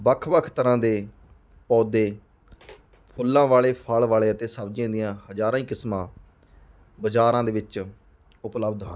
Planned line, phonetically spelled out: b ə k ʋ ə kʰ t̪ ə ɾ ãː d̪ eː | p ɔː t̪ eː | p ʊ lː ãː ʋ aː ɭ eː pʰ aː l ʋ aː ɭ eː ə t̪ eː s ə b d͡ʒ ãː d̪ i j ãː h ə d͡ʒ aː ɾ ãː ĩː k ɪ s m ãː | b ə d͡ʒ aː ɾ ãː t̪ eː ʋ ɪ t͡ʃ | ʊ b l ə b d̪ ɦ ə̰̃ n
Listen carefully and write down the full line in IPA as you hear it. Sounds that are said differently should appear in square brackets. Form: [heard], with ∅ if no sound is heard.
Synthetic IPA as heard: b ə [kʰ] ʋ ə kʰ t̪ ə ɾ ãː d̪ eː | p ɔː [d̪] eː | [pʰ] ʊ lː ãː ʋ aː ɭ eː pʰ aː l ʋ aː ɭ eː ə t̪ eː s ə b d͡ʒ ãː d̪ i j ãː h ə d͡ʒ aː ɾ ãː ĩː k ɪ s m ãː | b ə d͡ʒ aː ɾ ãː [d̪] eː ʋ ɪ t͡ʃ | ʊ [p] l ə b d̪ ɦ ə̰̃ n